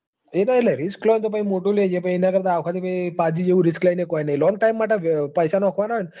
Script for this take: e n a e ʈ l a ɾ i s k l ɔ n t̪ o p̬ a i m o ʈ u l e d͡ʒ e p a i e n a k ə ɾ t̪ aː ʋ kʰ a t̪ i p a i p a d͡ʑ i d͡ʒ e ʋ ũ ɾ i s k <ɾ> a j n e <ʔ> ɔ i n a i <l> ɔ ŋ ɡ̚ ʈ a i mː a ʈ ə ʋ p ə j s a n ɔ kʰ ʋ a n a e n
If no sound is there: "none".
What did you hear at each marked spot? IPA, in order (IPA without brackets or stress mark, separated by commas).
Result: l, k, l